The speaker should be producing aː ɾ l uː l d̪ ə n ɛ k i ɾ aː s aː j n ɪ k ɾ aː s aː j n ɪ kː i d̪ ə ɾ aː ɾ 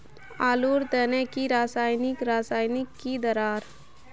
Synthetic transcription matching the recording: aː l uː ɾ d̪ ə n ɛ k i ɾ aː s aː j n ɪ k ɾ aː s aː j n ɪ kː i d̪ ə ɾ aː ɾ